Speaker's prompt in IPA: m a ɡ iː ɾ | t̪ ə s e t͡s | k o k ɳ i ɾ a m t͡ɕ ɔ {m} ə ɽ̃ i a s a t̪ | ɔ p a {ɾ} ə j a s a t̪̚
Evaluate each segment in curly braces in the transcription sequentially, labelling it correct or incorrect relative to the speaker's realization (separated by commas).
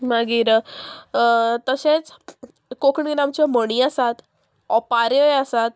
correct, correct